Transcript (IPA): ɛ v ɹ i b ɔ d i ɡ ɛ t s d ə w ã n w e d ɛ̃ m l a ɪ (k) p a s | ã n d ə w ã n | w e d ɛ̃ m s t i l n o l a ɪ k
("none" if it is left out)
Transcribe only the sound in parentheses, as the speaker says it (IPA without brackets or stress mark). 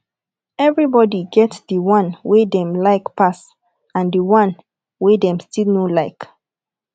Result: k